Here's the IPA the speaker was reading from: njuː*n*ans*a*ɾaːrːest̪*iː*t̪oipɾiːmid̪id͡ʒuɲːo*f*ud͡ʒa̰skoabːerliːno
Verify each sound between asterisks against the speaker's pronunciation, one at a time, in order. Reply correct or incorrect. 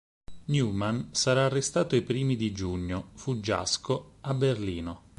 incorrect: m, correct, incorrect: aː, correct

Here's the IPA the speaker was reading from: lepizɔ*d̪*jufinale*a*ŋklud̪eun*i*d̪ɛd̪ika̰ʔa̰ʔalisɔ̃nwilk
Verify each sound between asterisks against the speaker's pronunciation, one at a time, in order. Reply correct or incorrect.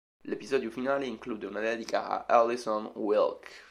correct, incorrect: i, incorrect: a

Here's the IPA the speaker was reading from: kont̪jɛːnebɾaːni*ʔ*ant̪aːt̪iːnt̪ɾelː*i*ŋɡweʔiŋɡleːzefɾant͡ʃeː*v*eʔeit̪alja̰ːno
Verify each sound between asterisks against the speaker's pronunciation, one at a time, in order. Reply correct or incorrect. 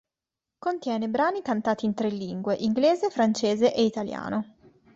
incorrect: k, correct, incorrect: z

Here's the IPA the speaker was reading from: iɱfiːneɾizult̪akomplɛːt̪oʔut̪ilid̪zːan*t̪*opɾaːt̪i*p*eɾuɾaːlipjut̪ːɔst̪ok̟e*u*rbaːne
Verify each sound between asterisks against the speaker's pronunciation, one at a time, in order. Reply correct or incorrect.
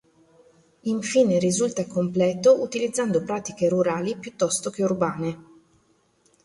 incorrect: d̪, incorrect: k, correct

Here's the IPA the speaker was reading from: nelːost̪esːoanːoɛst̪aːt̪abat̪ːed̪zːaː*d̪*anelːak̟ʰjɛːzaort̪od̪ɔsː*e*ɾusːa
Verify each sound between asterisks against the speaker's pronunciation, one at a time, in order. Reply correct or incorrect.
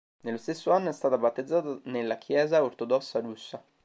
incorrect: t̪, incorrect: a

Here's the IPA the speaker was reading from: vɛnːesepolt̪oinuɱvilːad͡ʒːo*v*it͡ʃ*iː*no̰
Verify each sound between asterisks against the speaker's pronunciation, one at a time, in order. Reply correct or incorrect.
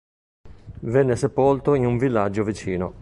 correct, correct

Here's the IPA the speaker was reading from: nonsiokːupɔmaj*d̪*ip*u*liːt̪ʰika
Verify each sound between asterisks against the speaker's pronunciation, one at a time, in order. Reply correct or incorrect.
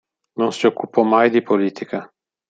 correct, incorrect: o

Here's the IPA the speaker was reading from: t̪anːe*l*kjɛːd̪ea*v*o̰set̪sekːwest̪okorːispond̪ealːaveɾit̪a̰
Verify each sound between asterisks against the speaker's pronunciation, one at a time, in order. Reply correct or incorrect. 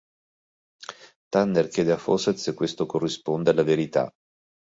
incorrect: r, incorrect: f

